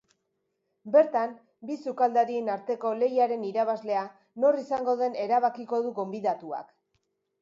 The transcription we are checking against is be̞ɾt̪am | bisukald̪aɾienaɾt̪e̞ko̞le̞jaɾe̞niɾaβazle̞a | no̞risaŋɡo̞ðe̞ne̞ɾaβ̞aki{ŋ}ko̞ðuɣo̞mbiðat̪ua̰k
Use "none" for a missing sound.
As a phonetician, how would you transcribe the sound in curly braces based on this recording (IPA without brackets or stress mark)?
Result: none